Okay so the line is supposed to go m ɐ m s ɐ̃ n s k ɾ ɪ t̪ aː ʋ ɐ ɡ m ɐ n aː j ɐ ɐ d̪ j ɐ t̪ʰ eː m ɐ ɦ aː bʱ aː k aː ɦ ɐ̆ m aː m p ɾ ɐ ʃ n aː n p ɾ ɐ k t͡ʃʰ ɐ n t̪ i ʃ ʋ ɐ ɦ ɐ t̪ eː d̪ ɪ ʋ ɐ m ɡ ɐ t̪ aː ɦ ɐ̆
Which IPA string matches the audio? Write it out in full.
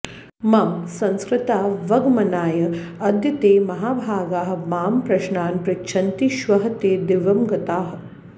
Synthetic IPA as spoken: m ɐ m s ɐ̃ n s k ɾ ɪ t̪ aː ʋ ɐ ɡ m ɐ n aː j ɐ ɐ d̪ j ɐ t̪ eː m ɐ ɦ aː bʱ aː ɡ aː ɦ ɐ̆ m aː m p ɾ ɐ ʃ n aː n p ɾ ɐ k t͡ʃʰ ɐ n t̪ i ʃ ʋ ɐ ɦ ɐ t̪ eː d̪ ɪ ʋ ɐ m ɡ ɐ t̪ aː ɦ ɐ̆